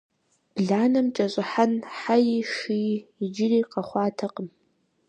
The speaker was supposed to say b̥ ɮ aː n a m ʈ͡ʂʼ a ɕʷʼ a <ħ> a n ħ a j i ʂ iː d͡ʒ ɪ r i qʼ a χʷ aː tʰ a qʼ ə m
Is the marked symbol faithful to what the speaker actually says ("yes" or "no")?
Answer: yes